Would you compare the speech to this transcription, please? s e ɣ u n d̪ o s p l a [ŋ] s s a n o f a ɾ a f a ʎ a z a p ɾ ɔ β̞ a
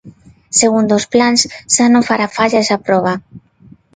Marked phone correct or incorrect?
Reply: incorrect